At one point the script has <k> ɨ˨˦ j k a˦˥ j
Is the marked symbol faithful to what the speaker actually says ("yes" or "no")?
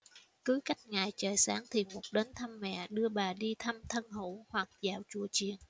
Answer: yes